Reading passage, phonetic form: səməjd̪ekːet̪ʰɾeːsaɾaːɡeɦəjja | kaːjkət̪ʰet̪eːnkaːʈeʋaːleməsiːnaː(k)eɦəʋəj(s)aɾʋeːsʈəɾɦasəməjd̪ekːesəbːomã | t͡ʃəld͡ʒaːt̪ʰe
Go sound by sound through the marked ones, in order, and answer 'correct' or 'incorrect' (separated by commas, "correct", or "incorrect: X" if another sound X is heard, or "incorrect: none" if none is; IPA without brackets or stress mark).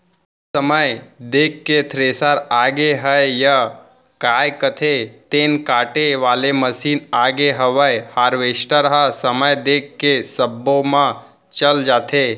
incorrect: ɡ, incorrect: h